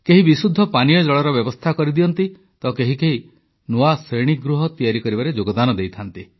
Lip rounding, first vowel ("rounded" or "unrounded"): unrounded